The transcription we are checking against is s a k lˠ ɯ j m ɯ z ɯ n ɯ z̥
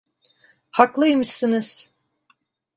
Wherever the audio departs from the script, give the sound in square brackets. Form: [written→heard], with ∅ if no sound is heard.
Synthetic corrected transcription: [s→h] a k lˠ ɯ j m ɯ [z→s] ɯ n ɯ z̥